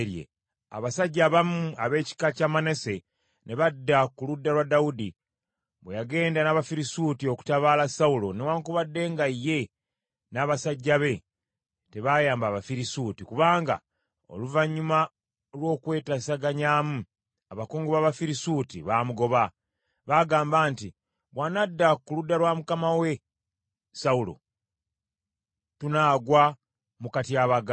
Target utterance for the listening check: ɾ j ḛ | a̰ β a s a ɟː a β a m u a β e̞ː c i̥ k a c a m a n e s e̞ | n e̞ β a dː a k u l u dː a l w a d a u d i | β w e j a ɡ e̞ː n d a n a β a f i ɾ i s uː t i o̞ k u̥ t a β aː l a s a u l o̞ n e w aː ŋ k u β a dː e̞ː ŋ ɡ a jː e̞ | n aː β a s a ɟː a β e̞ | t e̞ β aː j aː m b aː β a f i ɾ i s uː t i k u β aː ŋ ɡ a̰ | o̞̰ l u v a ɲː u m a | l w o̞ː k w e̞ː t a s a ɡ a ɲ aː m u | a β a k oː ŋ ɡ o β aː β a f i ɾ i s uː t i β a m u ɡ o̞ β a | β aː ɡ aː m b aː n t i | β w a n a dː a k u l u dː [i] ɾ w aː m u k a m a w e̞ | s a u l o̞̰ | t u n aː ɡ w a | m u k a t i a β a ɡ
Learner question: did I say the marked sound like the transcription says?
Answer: no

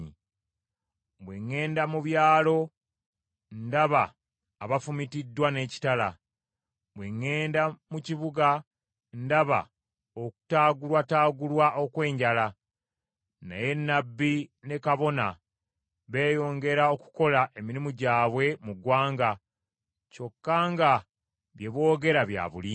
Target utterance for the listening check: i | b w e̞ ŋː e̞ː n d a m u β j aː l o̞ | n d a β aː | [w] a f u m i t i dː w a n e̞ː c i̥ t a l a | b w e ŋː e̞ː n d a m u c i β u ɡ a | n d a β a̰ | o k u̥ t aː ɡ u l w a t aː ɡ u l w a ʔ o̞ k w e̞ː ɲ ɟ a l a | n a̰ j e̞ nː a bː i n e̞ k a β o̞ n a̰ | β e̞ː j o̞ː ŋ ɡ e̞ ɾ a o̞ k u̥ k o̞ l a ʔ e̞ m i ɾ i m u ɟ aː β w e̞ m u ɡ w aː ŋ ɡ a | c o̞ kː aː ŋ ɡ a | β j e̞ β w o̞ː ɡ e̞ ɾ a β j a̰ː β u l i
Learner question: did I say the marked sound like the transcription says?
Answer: no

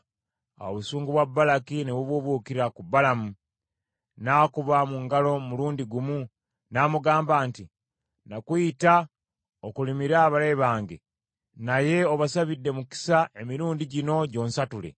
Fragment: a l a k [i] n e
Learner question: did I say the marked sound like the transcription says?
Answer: yes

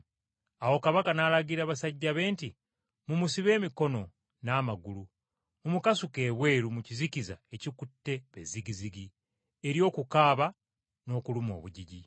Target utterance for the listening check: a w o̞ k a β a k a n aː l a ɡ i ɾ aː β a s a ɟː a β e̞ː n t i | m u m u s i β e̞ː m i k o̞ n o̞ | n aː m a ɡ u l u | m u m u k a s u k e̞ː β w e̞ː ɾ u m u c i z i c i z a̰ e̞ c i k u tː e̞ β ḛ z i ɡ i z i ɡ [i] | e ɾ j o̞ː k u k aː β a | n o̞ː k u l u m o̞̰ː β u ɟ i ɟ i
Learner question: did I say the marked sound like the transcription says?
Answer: yes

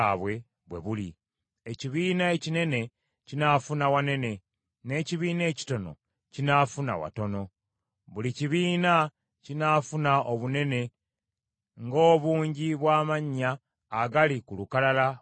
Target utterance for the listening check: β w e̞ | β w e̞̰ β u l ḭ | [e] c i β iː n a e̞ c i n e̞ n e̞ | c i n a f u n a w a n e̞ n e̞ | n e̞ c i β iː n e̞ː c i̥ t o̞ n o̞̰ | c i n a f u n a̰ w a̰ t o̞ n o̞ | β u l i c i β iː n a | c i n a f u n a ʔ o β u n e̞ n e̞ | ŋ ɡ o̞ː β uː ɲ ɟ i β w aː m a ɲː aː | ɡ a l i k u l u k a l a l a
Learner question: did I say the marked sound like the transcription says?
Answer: yes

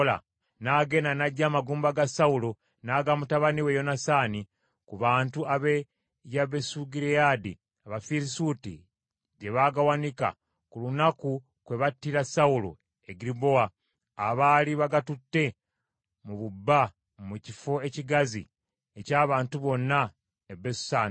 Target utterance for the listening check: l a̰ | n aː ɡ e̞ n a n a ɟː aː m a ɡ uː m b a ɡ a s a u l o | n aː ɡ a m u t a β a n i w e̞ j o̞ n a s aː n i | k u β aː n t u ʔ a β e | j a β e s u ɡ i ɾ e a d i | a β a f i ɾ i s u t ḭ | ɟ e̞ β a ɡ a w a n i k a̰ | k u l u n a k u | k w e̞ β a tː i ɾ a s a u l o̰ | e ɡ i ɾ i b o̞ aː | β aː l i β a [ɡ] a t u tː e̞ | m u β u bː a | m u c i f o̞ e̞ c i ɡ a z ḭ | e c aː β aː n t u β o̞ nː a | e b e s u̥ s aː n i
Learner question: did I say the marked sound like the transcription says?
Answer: yes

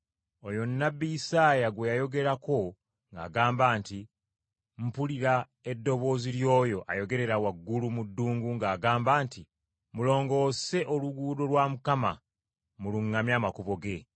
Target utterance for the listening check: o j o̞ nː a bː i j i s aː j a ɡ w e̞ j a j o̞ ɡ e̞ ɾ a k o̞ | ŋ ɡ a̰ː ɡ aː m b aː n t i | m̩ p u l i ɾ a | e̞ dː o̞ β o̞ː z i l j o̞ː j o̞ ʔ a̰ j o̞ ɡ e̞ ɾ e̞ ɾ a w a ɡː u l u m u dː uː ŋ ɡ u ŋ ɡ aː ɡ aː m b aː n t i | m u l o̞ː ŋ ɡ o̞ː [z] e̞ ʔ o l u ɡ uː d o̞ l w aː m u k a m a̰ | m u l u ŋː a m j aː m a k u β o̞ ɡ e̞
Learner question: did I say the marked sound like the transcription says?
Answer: no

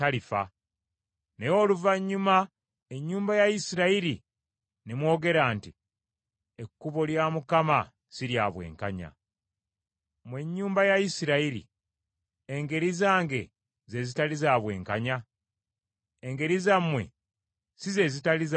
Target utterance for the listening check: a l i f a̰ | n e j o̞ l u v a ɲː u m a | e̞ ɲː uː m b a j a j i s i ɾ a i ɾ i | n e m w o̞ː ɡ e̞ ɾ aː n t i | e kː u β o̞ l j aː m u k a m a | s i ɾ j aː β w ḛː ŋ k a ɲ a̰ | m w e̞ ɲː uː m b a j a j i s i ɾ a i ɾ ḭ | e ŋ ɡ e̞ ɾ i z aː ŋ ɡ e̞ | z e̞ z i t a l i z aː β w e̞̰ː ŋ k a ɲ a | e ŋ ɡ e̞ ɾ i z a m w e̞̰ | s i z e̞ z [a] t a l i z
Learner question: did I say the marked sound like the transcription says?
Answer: no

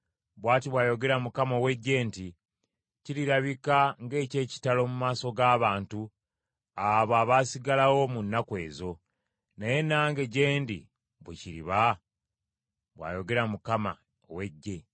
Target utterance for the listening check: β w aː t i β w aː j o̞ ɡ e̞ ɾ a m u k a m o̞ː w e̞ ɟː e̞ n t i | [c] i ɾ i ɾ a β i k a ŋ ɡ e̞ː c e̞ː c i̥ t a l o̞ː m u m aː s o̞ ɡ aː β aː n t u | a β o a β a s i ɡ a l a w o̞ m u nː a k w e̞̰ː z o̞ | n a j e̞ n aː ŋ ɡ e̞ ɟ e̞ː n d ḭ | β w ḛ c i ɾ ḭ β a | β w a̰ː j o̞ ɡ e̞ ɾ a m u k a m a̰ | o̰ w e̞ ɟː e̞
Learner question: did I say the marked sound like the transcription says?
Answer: yes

